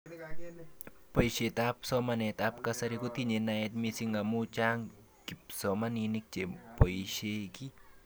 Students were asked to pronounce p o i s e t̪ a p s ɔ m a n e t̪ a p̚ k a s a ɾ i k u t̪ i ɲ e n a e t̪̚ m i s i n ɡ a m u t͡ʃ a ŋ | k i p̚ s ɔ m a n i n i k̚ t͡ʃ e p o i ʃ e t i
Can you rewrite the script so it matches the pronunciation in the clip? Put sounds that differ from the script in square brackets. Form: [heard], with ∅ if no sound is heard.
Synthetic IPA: p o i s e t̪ a p s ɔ m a n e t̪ a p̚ k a s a ɾ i k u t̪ i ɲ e n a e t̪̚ m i s i [ŋ] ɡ a m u t͡ʃ a ŋ | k i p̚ s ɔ m a n i n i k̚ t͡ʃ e p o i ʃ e [k] i